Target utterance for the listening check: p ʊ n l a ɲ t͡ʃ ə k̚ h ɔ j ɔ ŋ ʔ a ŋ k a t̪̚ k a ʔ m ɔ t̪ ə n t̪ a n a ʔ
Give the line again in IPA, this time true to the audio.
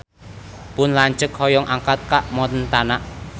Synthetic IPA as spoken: p ʊ n l a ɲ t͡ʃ ə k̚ h ɔ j ɔ ŋ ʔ a ŋ k a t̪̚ k a ʔ m ɔ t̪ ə n t̪ a n a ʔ